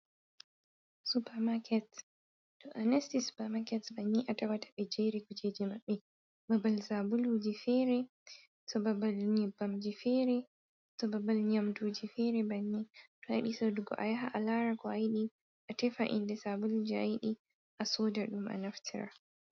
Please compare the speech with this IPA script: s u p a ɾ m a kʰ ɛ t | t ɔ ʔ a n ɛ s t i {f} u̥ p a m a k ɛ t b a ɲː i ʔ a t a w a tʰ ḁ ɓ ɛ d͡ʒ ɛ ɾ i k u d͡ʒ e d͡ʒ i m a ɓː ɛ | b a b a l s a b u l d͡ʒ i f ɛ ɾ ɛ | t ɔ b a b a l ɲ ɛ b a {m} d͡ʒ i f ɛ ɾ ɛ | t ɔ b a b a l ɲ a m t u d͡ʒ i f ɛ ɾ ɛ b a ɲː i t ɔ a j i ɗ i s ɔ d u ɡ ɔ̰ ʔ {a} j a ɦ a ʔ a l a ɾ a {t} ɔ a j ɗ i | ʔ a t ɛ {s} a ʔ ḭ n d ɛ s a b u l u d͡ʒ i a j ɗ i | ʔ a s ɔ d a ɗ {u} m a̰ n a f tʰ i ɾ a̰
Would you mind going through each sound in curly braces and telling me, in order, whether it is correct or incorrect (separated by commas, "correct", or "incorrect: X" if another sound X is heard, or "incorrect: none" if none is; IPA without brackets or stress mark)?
incorrect: s, correct, correct, incorrect: k, incorrect: f, correct